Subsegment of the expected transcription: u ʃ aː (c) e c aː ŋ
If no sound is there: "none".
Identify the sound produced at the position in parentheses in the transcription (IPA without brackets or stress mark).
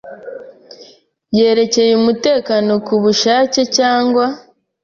c